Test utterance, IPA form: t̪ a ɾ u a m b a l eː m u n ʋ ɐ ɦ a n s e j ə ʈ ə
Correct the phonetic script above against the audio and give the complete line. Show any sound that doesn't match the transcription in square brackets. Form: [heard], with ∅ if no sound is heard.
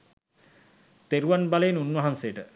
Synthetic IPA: t̪ [e] ɾ u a [n] b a l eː [n] u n ʋ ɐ ɦ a n s e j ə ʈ ə